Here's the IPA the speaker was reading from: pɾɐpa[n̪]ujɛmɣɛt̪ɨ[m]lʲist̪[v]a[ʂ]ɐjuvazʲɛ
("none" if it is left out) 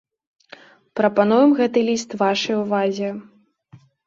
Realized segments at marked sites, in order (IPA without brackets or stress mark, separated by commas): n̪, none, v, ʂ